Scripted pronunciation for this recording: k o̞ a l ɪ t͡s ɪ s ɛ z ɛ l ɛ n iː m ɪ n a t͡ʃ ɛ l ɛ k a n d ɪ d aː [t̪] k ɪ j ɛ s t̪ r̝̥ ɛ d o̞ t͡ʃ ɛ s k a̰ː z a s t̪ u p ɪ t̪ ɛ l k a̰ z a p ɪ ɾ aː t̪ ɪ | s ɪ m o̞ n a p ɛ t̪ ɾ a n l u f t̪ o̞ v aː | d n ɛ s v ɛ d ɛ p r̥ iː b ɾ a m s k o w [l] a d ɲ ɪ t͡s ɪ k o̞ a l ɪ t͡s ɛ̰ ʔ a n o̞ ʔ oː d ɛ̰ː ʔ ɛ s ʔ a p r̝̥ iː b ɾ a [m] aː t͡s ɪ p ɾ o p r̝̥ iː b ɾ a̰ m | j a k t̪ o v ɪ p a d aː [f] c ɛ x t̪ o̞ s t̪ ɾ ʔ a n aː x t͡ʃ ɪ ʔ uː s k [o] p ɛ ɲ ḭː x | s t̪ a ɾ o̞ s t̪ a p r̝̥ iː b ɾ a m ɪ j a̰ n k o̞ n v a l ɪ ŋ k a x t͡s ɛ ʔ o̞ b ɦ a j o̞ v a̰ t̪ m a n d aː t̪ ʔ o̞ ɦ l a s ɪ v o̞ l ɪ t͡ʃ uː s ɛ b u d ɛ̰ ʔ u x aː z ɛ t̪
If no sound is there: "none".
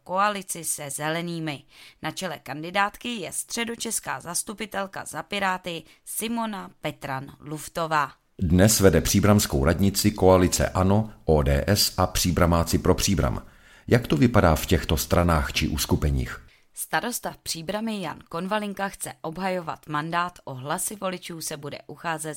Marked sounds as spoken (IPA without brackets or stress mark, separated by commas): t̪, ɾ, m, f, u